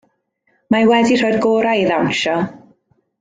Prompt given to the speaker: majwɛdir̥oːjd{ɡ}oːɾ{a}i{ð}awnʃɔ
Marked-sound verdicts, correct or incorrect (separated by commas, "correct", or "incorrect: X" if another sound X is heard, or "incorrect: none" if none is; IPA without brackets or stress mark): correct, correct, correct